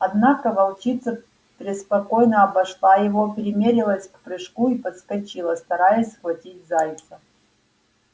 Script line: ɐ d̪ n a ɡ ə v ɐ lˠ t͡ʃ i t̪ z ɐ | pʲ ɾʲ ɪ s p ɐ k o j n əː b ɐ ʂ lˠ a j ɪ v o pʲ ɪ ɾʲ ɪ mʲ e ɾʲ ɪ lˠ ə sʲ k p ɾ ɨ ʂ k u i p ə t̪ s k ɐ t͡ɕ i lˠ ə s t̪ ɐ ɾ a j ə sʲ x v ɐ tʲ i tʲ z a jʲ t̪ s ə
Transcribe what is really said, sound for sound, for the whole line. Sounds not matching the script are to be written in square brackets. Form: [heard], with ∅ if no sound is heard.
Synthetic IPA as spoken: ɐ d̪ n a [k] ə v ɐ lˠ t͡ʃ i t̪ [s] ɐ | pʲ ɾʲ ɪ s p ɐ k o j n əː b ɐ ʂ lˠ a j ɪ v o pʲ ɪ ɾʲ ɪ mʲ e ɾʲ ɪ lˠ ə sʲ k p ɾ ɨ ʂ k u i p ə t̪ s k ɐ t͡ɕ i lˠ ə s t̪ ɐ ɾ a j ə sʲ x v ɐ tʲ i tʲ z a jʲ t̪ s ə